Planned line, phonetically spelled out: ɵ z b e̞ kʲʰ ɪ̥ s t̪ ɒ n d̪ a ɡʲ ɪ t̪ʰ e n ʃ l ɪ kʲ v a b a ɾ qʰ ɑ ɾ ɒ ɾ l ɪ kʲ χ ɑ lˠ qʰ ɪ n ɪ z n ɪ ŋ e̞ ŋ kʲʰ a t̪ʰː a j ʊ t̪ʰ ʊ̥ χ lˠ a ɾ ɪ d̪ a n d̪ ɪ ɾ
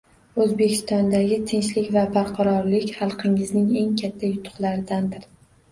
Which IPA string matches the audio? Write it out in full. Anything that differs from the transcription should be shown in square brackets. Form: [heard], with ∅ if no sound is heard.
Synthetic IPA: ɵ z b e̞ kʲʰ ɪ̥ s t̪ ɒ n d̪ a ɡʲ ɪ t̪ʰ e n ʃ l ɪ kʲ v a b a ɾ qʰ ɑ ɾ ɒ ɾ l ɪ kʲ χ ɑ lˠ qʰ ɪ [ŋ] ɪ z n ɪ ŋ e̞ ŋ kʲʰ a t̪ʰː a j ʊ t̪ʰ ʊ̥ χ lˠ a ɾ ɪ d̪ a n d̪ ɪ ɾ